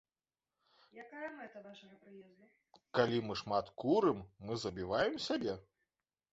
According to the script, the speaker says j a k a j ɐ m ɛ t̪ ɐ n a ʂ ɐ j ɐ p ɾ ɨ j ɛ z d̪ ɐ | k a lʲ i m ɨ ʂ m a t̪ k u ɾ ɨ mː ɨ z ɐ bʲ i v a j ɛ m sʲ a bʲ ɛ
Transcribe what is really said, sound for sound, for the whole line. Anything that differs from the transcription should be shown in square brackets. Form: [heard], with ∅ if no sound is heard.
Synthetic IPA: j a k a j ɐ m ɛ t̪ ɐ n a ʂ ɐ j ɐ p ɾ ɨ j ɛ z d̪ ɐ | k a lʲ i m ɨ ʂ m a t̪ k u ɾ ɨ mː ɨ z ɐ bʲ i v a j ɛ m sʲ a bʲ ɛ